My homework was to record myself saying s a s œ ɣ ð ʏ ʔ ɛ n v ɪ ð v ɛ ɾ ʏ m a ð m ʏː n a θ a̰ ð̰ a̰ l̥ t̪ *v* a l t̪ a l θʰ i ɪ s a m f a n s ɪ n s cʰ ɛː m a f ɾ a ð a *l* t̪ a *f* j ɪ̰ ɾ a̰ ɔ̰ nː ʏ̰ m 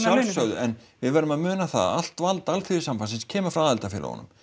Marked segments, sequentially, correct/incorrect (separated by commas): correct, correct, correct